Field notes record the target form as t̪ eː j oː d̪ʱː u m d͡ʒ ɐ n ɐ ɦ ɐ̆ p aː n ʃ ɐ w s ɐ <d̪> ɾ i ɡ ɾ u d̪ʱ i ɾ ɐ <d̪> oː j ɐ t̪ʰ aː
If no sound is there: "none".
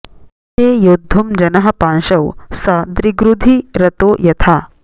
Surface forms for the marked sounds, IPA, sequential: d̪, t̪

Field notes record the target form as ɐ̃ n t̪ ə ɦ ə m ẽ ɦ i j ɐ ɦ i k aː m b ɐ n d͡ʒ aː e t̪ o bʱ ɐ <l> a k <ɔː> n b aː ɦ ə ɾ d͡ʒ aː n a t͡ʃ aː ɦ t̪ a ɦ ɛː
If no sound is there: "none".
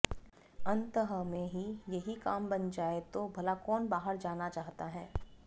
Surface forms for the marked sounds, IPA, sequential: l, ɔː

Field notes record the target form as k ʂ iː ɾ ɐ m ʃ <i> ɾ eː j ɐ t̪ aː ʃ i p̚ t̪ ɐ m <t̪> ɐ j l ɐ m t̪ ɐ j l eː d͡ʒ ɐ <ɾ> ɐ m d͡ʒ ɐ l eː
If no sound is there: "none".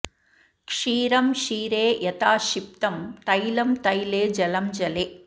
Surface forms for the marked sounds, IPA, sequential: iː, t̪, l

